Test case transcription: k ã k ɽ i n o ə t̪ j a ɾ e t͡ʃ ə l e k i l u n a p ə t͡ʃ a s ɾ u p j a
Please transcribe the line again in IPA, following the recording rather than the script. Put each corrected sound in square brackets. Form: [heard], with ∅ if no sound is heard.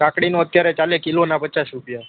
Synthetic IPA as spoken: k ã k ɽ i n o ə t̪ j a ɾ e t͡ʃ [a] l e k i l [o] n a p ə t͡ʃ a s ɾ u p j a